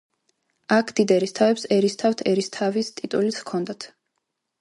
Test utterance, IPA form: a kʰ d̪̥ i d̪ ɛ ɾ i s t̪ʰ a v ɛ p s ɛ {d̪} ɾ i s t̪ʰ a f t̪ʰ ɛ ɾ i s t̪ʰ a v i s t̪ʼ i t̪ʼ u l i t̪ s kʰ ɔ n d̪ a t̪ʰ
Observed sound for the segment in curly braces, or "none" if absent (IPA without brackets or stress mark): none